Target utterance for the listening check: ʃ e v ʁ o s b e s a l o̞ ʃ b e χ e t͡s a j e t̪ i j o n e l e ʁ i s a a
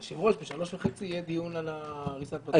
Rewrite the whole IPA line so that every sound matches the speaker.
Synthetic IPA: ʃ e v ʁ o ʃ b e ʃ a l o̞ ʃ v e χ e t͡s i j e d̪ i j u n a l a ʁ i s a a